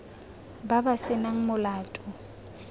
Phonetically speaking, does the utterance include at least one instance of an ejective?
yes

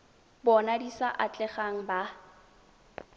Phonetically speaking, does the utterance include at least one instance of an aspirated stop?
no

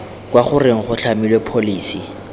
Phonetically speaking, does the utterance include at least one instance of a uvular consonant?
yes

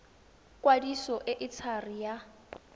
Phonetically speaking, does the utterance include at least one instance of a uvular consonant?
no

